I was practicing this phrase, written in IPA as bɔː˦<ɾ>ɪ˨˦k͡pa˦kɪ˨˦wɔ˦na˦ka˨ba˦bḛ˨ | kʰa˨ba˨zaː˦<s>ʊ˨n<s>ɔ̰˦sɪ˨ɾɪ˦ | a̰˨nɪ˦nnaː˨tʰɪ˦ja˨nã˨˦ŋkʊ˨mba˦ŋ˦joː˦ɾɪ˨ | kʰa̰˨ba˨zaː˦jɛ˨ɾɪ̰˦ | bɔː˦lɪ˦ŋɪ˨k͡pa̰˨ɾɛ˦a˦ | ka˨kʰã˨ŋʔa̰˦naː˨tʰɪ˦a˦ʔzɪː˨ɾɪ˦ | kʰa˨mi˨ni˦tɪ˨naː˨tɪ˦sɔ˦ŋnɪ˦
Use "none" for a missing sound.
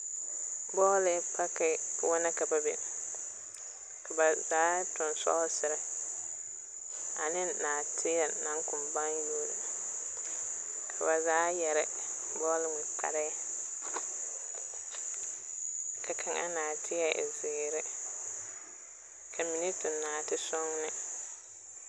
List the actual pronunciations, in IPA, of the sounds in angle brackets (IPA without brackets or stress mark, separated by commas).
l, t, s